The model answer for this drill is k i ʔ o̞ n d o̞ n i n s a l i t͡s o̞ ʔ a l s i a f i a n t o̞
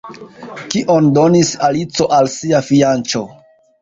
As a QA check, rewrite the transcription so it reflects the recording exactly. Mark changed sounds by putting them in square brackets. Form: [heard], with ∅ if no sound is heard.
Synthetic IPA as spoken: k i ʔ o̞ n d o̞ n i [∅] s a l i t͡s o̞ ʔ a l s i a f i a n [t͡ʃ] o̞